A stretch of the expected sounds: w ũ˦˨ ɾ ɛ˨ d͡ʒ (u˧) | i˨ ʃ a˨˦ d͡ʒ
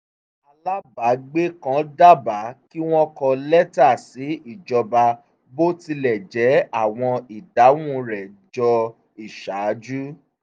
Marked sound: incorrect: ɔ˧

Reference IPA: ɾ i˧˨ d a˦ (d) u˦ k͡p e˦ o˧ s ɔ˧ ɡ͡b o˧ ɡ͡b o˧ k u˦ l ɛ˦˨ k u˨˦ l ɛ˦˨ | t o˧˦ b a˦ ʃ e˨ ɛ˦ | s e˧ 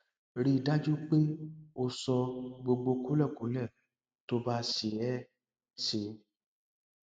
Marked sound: incorrect: d͡ʒ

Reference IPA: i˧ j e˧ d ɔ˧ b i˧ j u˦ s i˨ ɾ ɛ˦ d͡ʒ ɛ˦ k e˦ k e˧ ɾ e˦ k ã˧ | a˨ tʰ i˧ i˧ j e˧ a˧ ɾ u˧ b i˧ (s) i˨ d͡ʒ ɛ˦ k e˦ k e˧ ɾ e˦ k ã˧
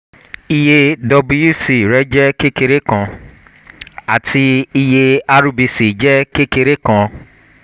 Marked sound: correct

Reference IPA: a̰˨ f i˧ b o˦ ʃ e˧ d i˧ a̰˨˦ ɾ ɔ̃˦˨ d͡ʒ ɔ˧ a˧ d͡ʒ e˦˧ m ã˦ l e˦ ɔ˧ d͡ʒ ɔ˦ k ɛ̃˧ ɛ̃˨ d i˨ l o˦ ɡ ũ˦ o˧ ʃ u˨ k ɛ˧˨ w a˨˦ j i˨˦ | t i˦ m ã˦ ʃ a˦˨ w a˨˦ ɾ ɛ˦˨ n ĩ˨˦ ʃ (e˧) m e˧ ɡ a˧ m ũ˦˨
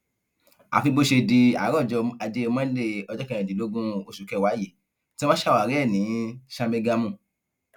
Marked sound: incorrect: a˧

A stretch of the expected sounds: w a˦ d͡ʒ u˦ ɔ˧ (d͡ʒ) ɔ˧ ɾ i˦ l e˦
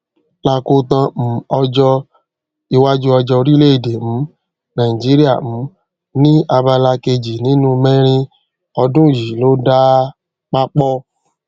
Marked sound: correct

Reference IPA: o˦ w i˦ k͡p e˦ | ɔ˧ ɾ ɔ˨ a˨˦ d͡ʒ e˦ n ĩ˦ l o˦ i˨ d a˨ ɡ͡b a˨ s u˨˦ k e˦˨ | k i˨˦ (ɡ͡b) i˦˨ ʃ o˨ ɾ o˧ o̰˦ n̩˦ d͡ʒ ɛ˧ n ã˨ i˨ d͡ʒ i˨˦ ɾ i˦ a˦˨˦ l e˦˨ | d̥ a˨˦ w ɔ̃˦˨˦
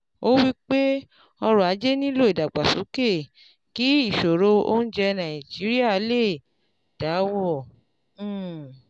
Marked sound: incorrect: none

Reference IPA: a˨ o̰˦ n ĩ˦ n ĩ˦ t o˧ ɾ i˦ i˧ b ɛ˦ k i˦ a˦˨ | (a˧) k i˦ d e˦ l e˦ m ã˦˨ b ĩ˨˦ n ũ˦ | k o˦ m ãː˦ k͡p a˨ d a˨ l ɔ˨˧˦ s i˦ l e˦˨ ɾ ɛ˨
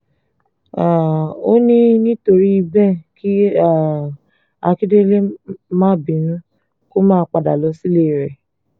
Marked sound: correct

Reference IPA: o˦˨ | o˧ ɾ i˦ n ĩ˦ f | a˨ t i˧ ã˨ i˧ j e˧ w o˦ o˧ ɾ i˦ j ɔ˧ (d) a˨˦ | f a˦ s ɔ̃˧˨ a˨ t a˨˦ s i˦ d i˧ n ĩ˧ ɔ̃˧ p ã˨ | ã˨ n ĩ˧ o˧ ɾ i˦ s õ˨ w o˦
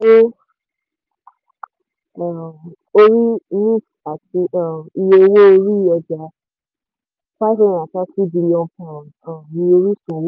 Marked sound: incorrect: d͡ʒ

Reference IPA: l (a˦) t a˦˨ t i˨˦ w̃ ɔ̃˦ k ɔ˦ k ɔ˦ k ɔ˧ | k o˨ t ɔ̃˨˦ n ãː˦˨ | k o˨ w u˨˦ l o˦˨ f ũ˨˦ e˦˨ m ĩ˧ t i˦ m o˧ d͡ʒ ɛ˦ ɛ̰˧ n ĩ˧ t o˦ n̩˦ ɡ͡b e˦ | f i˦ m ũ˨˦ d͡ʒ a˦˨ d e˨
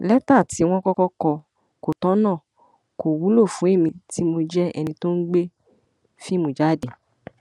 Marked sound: incorrect: ɛ˦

